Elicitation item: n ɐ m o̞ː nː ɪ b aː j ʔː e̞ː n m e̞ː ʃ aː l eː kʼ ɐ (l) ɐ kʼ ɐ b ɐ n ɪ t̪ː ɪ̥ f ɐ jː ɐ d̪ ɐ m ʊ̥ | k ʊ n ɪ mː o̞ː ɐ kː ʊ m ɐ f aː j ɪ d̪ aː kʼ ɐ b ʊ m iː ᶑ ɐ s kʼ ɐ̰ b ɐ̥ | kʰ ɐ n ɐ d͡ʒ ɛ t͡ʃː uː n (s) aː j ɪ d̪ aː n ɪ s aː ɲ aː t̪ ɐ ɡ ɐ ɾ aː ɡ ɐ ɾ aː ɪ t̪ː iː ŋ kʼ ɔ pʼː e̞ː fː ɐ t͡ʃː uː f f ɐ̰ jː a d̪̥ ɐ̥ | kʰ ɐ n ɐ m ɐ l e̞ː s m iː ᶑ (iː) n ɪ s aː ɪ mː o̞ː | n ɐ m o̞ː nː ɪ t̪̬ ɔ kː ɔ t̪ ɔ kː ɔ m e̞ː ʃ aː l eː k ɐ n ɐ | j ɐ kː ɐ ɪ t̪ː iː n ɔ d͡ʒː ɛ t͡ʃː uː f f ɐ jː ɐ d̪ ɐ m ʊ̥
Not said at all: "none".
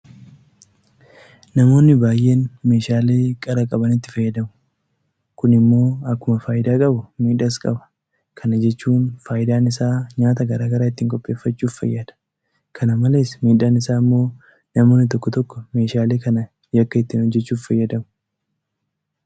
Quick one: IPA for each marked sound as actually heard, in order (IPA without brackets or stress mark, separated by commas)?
ɾ, f, aː